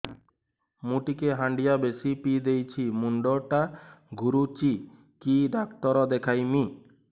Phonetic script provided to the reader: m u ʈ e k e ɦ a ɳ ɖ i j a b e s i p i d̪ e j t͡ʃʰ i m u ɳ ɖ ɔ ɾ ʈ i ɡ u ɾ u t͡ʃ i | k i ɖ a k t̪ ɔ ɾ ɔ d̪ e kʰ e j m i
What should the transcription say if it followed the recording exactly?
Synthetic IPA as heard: m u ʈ i k e ɦ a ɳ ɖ i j a b e s i p i d̪ e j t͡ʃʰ i m u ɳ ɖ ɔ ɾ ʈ a ɡ u ɾ u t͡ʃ i | k i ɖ a k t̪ ɔ ɾ ɔ d̪ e kʰ a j m i